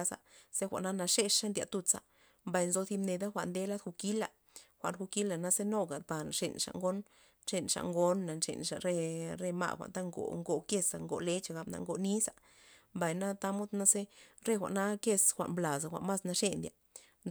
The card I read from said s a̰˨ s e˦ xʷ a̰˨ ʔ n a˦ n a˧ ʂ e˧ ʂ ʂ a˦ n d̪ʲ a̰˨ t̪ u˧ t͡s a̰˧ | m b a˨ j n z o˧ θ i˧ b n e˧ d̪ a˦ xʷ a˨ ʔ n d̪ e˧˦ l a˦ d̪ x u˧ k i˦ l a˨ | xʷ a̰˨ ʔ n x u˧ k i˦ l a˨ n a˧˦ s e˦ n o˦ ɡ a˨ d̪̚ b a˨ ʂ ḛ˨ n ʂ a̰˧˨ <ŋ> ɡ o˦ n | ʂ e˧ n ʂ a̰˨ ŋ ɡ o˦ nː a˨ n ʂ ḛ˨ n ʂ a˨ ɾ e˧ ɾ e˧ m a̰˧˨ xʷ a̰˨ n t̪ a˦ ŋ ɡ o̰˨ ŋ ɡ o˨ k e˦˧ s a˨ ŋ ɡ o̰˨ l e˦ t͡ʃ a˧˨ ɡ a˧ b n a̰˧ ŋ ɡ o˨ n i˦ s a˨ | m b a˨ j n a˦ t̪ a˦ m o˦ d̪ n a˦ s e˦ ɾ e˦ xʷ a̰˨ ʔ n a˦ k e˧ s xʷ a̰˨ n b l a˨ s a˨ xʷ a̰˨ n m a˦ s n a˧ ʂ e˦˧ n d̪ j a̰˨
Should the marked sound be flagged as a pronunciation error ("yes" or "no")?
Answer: no